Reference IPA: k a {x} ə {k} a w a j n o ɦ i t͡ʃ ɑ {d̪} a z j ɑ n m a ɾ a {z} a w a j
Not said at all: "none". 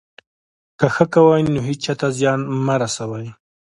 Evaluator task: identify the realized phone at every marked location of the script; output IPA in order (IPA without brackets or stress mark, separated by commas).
x, k, t̪, s